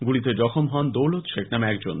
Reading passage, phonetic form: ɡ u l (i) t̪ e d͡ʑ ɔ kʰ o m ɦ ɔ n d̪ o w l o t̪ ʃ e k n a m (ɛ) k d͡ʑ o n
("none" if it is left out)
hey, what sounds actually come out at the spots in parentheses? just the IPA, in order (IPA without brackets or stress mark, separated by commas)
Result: i, ɛ